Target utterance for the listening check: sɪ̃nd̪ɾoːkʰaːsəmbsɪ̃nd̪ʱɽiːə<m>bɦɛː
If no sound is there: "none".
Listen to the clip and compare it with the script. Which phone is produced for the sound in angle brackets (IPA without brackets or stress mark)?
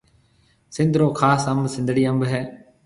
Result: m